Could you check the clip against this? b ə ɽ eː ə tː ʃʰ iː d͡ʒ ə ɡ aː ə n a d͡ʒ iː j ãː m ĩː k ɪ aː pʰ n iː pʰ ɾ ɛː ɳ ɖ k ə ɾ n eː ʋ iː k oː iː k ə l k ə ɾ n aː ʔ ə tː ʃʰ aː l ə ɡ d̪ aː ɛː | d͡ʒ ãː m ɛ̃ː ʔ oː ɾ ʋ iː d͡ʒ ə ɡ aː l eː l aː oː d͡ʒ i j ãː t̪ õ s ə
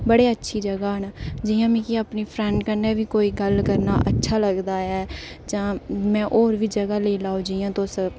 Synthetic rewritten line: b ə ɽ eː ə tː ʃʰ iː d͡ʒ ə ɡ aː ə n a d͡ʒ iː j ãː m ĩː k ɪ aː p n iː pʰ ɾ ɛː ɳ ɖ k ə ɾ n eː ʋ iː k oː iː ɡ ə l k ə ɾ n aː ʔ ə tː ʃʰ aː l ə ɡ d̪ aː ɛː | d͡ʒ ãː m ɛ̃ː ʔ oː ɾ ʋ iː d͡ʒ ə ɡ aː l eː l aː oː d͡ʒ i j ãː t̪ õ s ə

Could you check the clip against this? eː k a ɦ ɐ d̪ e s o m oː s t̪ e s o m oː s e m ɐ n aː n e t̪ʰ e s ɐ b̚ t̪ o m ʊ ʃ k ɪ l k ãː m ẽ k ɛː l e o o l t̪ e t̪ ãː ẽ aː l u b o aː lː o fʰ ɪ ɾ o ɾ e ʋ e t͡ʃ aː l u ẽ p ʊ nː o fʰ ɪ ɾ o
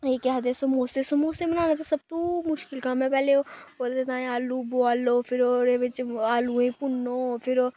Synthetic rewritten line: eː k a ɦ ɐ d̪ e s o m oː s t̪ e s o m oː s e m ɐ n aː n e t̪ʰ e s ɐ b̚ t̪ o m ʊ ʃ k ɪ l k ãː m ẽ p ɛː l e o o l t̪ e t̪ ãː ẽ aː l u b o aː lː o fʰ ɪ ɾ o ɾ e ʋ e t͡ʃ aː l u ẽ p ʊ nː o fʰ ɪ ɾ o

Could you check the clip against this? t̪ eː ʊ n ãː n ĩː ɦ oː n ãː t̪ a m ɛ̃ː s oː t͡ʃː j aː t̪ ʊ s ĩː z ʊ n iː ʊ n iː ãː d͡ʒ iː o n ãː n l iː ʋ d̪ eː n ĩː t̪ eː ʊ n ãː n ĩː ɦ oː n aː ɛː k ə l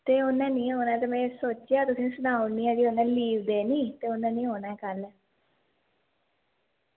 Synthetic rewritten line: t̪ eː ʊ n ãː n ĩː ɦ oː n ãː t̪ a m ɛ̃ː s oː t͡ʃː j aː t̪ ʊ s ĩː s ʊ n aː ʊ n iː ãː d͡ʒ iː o n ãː l iː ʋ d̪ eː n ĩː t̪ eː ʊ n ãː n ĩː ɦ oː n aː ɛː k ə l

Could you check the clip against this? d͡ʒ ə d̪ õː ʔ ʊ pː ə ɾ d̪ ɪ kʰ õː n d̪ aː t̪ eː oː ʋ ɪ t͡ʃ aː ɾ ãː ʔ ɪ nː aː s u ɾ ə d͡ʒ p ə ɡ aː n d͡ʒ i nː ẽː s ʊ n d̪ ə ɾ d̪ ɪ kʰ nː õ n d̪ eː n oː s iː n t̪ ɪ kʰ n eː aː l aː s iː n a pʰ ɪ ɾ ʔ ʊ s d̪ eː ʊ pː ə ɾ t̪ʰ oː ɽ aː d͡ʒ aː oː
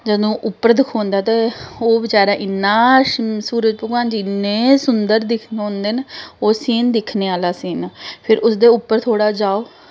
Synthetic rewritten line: d͡ʒ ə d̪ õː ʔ ʊ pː ə ɾ d̪ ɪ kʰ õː n d̪ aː t̪ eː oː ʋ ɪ t͡ʃ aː ɾ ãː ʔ ɪ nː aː s uː ɾ ə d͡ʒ p ə ɡ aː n d͡ʒ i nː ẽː s ʊ n d̪ ə ɾ d̪ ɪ kʰ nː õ n d̪ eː n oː s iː n d̪ ɪ kʰ n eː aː l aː s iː n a pʰ ɪ ɾ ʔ ʊ s d̪ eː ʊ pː ə ɾ t̪ʰ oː ɽ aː d͡ʒ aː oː

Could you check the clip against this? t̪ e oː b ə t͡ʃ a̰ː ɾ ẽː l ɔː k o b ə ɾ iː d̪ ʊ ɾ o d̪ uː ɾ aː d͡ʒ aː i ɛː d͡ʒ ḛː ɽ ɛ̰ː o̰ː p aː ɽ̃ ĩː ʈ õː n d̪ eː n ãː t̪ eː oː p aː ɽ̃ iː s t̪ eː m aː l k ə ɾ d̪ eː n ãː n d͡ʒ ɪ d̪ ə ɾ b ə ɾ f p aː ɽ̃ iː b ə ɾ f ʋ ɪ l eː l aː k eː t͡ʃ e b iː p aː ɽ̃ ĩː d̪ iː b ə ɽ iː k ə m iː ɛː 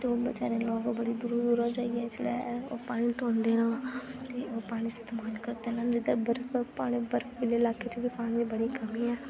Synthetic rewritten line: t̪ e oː b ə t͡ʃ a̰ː ɾ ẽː l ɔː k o b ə ɽ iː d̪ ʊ ɾ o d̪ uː ɾ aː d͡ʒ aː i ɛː d͡ʒ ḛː ɽ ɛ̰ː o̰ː p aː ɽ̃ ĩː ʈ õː n d̪ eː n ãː t̪ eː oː p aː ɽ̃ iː s t̪ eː m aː l k ə ɾ d̪ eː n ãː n d͡ʒ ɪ d̪ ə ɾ b ə ɾ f p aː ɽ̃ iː b ə ɾ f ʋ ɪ l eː l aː k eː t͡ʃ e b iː p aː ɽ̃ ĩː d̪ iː b ə ɽ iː k ə m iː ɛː

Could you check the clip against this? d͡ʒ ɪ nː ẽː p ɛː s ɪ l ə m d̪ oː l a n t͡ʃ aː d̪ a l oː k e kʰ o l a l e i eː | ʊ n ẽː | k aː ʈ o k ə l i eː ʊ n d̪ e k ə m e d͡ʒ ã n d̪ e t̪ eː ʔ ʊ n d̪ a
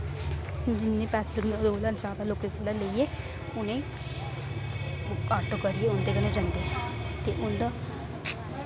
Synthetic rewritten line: d͡ʒ ɪ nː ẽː p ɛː s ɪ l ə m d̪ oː l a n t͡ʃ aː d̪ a l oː k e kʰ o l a l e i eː | ʊ n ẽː | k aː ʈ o k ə ɾ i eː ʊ n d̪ e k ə n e d͡ʒ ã n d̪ e t̪ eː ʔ ʊ n d̪ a

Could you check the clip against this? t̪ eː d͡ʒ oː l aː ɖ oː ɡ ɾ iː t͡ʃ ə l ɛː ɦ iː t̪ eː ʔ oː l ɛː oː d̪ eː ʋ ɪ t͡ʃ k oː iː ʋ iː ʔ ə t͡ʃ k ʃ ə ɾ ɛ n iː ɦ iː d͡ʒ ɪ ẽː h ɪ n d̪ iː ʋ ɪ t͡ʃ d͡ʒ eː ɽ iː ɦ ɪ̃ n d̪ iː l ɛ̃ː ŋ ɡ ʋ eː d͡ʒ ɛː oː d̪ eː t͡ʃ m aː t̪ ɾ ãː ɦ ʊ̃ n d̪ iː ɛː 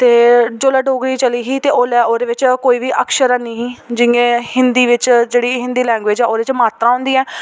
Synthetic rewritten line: t̪ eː d͡ʒ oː l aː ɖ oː ɡ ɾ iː t͡ʃ ə l iː ɦ iː t̪ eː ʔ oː l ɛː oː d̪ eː ʋ ɪ t͡ʃ k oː iː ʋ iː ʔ ə k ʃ ə ɾ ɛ n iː ɦ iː d͡ʒ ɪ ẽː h ɪ n d̪ iː ʋ ɪ t͡ʃ d͡ʒ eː ɽ iː ɦ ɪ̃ n d̪ iː l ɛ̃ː ŋ ɡ ʋ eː d͡ʒ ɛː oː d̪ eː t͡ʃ m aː t̪ ɾ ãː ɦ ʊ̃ n d̪ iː ɛː

